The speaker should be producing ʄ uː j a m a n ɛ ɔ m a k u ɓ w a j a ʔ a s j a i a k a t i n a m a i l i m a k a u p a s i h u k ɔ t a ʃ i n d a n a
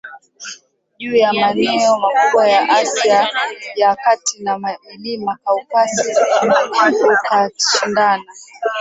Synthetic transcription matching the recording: ʄ uː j a m a n ɛ ɔ m a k u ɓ w a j a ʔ a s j a j a k a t i n a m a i l i m a k a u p a s i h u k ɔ k a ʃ i n d a n a

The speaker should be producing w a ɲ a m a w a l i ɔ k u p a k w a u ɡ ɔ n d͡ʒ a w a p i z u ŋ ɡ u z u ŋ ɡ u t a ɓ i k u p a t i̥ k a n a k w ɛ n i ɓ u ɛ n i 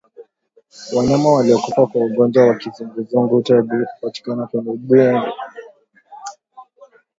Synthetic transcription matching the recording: w a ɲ a m a w a l i ɔ k u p a k w a u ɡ ɔ n d͡ʒ a w a k i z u ŋ ɡ u z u ŋ ɡ u t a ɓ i k u p a t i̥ k a n a k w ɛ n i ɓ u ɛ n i

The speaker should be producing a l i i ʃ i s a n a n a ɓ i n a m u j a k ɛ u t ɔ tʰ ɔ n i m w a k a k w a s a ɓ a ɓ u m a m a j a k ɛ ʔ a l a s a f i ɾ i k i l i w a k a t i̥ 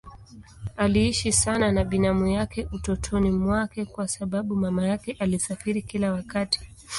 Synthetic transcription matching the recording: a l i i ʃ i s a n a n a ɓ i n a m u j a k ɛ u t ɔ tʰ ɔ n i m w a k ɛ k w a s a ɓ a ɓ u m a m a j a k ɛ ʔ a l i s a f i ɾ i k i l a w a k a t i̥

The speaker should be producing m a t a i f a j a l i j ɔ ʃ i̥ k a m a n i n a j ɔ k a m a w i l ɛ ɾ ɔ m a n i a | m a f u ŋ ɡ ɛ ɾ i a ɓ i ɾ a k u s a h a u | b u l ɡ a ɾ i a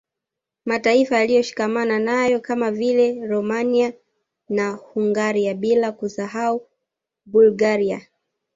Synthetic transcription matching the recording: m a t a i f a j a l i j ɔ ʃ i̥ k a m a n a n a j ɔ k a m a v i l ɛ ɾ ɔ m a n i a | n a h u ŋ ɡ a ɾ i a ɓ i l a k u s a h a u | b u l ɡ a ɾ i a

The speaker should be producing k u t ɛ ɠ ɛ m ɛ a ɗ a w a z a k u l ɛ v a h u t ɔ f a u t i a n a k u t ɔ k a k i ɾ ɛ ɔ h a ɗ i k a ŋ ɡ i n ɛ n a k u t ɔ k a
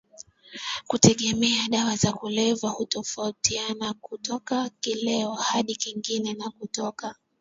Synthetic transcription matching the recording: k u t ɛ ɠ ɛ m ɛ a ɗ a w a z a k u l ɛ v a h u t ɔ f a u t i a n a k u t ɔ k a k i l ɛ ɔ h a ɗ i k i ŋ ɡ i n ɛ n a k u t ɔ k a

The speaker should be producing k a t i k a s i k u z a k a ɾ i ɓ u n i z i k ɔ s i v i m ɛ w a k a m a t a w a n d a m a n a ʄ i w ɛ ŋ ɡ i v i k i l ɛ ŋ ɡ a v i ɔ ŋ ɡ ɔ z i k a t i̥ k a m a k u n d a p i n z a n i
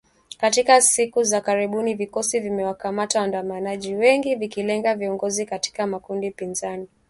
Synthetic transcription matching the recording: k a t i k a s i k u z a k a ɾ i ɓ u n i v i k ɔ s i v i m ɛ w a k a m a t a w a n d a m a n a ʄ i w ɛ ŋ ɡ i v i k i l ɛ ŋ ɡ a v i ɔ ŋ ɡ ɔ z i k a t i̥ k a m a k u n d i p i n z a n i

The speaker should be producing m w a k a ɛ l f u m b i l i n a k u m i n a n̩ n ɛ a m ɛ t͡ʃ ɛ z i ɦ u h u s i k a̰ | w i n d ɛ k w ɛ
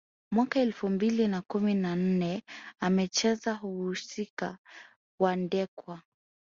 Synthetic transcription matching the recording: m w a k a ɛ l f u m b i l i n a k u m i n a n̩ n ɛ a m ɛ t͡ʃ ɛ z a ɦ u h u s i k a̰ | w a n d ɛ k w a

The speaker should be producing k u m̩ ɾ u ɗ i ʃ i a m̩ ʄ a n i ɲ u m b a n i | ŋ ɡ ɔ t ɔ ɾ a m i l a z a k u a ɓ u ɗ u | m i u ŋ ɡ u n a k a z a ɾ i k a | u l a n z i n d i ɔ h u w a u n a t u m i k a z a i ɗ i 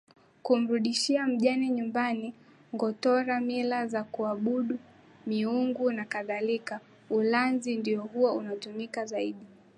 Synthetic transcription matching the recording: k u m̩ ɾ u ɗ i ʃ i a m̩ ʄ a n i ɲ u m b a n i | ŋ ɡ ɔ t ɔ ɾ a m i l a z a k u a ɓ u ɗ u | m i u ŋ ɡ u n a k a ð a l i k a | u l a n z i n d i ɔ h u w a u n a t u m i k a z a i ɗ i

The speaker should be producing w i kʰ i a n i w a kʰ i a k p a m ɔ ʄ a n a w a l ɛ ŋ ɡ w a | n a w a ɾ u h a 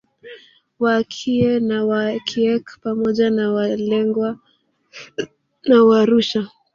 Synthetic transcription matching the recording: w a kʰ i ɛ n a w a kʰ i ɛ k p a m ɔ ʄ a n a w a l ɛ ŋ ɡ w a | n a w a ɾ u ʃ a

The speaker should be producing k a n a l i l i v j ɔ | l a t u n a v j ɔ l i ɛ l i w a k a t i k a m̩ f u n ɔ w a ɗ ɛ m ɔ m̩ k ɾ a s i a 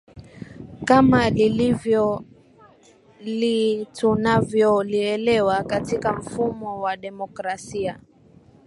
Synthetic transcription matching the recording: k a m a l i l i v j ɔ | l i t u n a v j ɔ l i ɛ l ɛ w a k a t i k a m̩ f u m ɔ w a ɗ ɛ m ɔ k ɾ a s i a

